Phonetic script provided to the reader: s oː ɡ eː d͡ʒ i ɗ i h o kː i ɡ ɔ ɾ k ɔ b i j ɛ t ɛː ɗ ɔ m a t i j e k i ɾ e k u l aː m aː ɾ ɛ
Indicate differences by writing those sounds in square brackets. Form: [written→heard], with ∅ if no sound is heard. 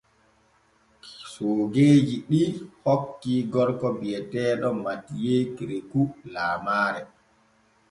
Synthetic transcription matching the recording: s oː ɡ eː d͡ʒ i ɗ i h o kː i ɡ ɔ ɾ k ɔ b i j ɛ t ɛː ɗ ɔ m a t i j e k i ɾ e k u l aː m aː ɾ ɛ